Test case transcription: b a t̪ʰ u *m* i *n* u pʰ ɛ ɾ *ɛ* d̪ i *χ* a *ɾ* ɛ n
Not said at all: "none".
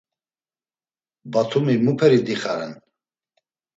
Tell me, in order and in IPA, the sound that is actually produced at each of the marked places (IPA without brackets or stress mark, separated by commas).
m, m, i, χ, ɾ